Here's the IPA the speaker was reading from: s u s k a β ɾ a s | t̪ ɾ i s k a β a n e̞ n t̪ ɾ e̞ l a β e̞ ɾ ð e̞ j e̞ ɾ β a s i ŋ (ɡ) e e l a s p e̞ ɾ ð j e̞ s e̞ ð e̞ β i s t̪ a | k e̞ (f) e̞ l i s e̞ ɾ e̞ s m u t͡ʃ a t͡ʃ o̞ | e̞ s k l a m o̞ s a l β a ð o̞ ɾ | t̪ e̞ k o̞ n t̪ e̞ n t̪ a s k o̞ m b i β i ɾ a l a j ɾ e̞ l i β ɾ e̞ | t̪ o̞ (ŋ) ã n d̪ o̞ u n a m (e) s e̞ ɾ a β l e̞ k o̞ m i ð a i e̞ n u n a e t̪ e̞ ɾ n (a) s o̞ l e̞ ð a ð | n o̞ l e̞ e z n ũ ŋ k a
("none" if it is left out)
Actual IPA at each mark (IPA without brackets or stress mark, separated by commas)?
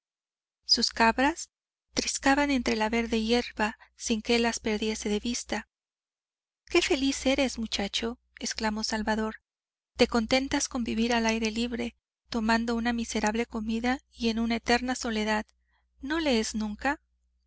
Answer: k, f, m, i, a